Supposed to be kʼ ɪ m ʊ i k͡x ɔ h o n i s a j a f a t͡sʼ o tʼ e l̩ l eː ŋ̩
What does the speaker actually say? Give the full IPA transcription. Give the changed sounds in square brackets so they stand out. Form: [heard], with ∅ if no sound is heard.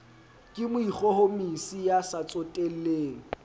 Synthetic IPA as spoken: kʼ ɪ m ʊ i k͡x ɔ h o [m] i s [i] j a [s] a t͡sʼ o tʼ e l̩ l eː ŋ̩